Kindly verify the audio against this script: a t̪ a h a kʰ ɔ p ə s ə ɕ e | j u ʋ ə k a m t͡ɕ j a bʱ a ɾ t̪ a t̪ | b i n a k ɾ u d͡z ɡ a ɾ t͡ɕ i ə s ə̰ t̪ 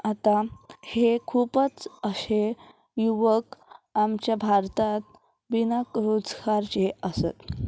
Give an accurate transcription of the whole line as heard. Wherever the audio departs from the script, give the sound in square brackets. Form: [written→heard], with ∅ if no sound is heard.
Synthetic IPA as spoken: a t̪ a h [a→e] kʰ [ɔ→u] p ə [s→t͡s] ə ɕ e | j u ʋ ə k a m t͡ɕ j a bʱ a ɾ t̪ a t̪ | b i n a k ɾ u d͡z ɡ a ɾ t͡ɕ [i→e] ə s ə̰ t̪